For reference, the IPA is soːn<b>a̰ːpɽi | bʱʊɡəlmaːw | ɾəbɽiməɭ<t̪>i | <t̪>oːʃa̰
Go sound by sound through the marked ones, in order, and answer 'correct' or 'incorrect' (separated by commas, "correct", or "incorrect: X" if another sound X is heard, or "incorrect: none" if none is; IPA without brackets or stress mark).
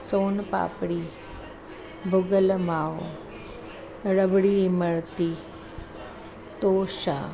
incorrect: p, correct, correct